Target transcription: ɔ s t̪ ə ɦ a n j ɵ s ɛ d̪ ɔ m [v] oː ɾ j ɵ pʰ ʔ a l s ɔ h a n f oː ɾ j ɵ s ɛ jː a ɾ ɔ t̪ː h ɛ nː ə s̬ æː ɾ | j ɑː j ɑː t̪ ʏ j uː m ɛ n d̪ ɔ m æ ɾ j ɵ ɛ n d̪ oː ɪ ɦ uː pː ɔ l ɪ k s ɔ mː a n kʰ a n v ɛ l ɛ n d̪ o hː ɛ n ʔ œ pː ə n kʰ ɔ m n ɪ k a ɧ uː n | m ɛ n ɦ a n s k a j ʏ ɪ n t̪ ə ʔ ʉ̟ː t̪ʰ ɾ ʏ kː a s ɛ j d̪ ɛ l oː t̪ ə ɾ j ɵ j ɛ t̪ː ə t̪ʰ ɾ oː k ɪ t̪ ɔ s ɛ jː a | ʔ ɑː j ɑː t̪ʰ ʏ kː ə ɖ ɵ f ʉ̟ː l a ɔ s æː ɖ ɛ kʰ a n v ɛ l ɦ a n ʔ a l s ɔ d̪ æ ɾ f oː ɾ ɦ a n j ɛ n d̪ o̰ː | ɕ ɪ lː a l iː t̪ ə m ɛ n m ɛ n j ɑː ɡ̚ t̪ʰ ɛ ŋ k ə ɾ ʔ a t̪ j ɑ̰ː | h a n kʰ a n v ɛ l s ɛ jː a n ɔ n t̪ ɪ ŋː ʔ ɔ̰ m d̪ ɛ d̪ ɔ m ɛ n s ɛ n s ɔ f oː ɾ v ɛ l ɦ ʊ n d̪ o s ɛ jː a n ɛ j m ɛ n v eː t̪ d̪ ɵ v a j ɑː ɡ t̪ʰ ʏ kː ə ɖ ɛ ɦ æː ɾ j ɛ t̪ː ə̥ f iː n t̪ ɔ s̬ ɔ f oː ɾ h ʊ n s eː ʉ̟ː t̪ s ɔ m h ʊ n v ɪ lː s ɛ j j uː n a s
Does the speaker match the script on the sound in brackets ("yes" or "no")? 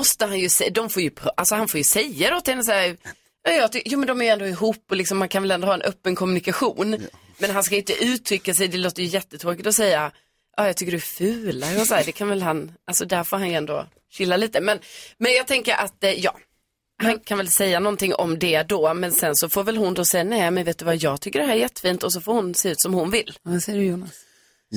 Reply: no